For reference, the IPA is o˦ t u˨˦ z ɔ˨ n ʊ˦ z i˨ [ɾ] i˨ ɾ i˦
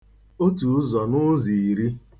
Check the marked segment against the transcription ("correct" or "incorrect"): incorrect